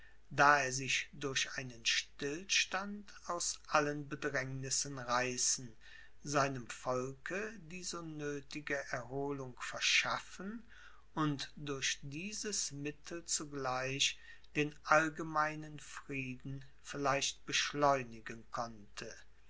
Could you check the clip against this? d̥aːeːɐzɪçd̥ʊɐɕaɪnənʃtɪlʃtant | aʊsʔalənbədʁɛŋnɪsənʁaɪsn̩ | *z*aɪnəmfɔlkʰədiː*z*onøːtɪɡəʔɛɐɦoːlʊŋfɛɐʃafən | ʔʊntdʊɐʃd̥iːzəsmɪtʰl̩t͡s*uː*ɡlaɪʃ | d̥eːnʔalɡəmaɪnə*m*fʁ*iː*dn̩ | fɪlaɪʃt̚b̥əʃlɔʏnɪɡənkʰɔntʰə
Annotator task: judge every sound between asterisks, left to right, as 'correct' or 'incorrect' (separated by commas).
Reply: correct, correct, incorrect, incorrect, correct